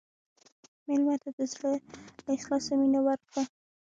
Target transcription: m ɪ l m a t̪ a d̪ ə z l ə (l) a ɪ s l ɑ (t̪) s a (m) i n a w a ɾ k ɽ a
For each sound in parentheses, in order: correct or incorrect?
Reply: correct, incorrect, correct

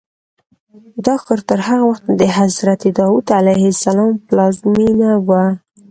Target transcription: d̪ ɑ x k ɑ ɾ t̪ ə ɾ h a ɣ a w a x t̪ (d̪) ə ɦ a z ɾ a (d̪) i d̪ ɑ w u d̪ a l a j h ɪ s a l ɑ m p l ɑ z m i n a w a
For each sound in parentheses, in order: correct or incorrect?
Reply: correct, incorrect

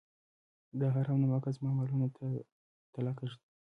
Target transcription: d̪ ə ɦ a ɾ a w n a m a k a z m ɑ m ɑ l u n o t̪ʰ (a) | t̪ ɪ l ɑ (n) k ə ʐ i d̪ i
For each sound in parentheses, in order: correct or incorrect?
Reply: correct, incorrect

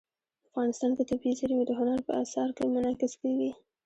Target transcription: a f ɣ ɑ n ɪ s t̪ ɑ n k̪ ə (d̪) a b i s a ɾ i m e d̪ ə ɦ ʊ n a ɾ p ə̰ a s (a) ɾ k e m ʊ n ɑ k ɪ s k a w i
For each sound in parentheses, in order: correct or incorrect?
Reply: incorrect, incorrect

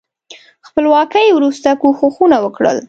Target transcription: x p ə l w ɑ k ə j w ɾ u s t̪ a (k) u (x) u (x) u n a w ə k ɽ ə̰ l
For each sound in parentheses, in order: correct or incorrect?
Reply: correct, correct, correct

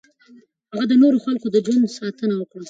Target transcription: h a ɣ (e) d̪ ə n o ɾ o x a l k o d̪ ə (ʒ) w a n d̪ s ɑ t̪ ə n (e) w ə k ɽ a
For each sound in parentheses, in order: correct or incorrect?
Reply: incorrect, incorrect, incorrect

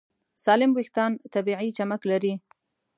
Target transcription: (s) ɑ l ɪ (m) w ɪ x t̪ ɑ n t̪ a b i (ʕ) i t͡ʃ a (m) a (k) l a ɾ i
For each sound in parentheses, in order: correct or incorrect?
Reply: correct, correct, correct, correct, correct

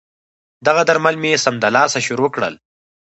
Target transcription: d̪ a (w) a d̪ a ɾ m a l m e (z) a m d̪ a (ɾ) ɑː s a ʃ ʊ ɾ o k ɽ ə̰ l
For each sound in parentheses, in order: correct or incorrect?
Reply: incorrect, incorrect, incorrect

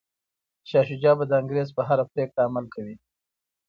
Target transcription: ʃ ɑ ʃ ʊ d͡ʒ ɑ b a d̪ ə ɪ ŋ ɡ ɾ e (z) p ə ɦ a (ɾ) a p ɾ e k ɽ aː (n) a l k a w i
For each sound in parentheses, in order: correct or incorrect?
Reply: correct, correct, incorrect

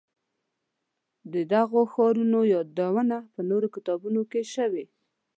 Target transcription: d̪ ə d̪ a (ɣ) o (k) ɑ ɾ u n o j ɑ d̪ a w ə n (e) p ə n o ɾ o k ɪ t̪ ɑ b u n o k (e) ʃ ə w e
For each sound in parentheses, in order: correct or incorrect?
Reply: correct, incorrect, incorrect, correct

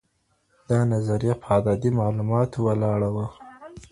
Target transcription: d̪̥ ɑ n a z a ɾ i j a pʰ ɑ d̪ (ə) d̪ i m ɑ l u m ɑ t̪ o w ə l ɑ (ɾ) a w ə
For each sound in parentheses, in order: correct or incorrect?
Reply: incorrect, incorrect

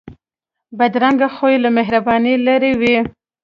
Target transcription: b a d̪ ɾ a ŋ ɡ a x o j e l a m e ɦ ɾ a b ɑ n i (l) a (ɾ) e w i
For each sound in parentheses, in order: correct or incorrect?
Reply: correct, correct

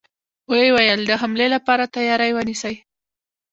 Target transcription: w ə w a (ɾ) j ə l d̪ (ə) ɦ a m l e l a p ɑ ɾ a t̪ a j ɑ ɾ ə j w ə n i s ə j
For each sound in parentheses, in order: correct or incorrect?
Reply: incorrect, correct

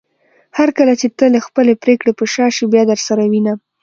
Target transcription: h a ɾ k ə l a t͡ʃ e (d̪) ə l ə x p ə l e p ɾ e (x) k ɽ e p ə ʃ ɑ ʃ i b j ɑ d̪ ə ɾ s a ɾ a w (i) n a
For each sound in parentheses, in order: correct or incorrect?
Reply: incorrect, incorrect, correct

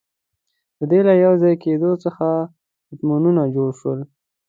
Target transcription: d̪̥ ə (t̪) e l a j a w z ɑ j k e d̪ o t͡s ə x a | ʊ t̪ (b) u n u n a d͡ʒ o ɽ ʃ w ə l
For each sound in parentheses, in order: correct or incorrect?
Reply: incorrect, incorrect

